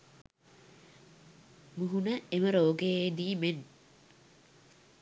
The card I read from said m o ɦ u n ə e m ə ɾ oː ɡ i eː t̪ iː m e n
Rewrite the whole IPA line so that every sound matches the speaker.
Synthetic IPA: m u ɦ u n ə e m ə ɾ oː ɡ e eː d̪ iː m e n